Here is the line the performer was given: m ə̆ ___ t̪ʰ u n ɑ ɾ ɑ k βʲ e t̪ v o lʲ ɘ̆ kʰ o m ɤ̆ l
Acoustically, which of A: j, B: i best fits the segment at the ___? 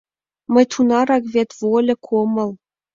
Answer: A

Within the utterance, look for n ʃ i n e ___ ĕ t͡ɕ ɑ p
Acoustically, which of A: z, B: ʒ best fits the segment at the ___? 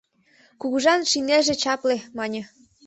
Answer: B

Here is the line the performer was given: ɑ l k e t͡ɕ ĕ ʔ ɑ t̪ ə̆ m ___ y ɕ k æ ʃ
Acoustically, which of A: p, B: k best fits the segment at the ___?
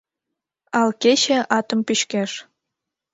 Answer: A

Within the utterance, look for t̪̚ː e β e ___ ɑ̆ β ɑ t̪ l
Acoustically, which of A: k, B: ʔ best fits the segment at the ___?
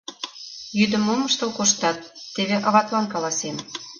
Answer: B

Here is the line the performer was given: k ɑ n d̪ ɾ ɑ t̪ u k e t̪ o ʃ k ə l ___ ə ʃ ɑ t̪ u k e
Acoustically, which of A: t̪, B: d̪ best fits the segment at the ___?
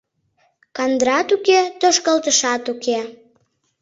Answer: A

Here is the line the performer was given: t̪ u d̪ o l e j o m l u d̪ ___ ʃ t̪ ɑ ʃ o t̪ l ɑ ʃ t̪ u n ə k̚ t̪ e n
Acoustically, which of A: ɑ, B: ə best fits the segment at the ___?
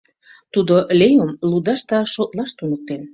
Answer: A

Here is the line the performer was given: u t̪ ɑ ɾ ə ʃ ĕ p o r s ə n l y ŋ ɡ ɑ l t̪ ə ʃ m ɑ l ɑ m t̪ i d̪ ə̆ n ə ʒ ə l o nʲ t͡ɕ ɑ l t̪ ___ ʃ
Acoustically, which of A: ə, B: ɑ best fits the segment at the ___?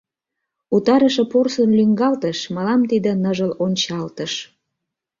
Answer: A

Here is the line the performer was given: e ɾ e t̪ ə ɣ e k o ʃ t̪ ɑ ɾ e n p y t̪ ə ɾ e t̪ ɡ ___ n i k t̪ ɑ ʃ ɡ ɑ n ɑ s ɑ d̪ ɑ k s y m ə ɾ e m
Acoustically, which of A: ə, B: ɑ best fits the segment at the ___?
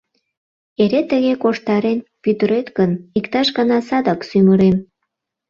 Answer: A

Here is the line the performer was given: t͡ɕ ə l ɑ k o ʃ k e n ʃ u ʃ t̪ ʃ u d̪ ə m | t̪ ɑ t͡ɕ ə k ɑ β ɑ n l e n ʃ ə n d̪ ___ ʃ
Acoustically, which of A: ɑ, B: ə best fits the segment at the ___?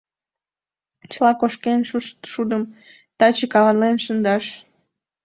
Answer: A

